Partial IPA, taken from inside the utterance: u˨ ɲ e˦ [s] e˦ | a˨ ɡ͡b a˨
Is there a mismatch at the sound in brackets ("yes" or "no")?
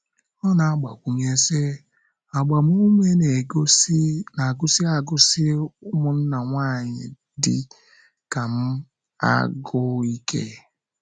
no